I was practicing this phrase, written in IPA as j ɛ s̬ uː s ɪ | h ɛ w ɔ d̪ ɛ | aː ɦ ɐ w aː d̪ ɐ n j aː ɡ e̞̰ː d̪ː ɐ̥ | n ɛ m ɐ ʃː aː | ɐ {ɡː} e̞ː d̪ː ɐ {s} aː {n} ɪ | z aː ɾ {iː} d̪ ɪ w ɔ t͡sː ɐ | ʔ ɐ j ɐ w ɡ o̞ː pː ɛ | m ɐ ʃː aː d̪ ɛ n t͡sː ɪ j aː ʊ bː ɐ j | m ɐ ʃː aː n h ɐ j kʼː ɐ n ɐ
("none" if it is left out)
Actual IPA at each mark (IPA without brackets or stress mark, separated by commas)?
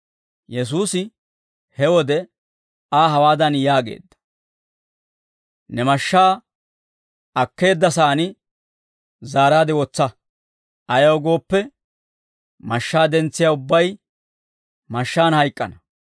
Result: kː, s, n, aː